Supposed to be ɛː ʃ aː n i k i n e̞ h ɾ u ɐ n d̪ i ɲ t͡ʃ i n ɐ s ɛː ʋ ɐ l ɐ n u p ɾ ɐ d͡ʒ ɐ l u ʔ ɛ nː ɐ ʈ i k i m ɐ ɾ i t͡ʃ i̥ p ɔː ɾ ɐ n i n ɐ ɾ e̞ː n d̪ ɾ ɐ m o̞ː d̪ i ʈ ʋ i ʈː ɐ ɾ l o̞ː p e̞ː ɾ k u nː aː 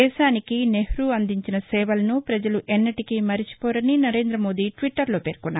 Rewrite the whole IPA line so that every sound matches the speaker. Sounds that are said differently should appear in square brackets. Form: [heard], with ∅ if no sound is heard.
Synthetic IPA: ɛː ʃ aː n i k i n e̞ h ɾ u ɐ n d̪ i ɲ t͡ʃ i n ɐ s ɛː ʋ ɐ l ɐ n u p ɾ ɐ d͡ʒ ɐ l u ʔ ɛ nː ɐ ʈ i k i m ɐ ɾ i t͡ʃ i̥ p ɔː ɾ ɐ n i n ɐ ɾ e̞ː n d̪ ɾ ɐ m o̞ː d̪ i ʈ ʋ i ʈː ɐ ɾ l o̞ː p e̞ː ɾ k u nː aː